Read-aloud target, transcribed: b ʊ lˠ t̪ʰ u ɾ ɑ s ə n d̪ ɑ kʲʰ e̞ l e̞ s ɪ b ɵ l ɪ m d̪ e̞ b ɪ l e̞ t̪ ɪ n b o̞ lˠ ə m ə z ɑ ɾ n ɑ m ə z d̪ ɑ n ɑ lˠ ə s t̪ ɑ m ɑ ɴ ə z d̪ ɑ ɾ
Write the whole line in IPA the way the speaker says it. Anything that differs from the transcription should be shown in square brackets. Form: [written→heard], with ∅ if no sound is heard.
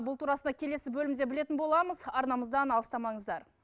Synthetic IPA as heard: b ʊ lˠ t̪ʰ u ɾ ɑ s ə n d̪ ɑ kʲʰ e̞ l e̞ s ɪ b ɵ l ɪ m d̪ e̞ b ɪ l e̞ t̪ ɪ n b o̞ lˠ [ə→ɑ] m ə z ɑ ɾ n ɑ m ə z d̪ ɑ n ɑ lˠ ə s t̪ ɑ m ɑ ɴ ə z d̪ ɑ ɾ